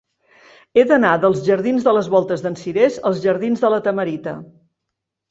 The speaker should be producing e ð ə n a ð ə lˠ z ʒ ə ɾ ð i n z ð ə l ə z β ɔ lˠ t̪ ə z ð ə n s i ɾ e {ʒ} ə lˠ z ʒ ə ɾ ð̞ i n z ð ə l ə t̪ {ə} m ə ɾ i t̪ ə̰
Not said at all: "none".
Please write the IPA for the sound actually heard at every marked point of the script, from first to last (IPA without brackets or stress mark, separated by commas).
z, ə